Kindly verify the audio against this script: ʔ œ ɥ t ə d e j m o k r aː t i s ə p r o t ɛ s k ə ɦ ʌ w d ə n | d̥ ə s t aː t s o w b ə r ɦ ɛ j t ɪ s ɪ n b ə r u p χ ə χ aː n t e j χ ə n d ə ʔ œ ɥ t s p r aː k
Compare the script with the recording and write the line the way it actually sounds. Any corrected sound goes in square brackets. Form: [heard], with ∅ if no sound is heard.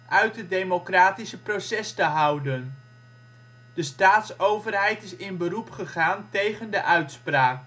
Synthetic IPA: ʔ œ ɥ t ə d e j m o k r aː t i s ə p r o [s] ɛ s [t] ə ɦ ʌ w d ə n | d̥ ə s t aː t s o w [v] ə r ɦ ɛ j t ɪ s ɪ n b ə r u p χ ə χ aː n t e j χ ə n d ə ʔ œ ɥ t s p r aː k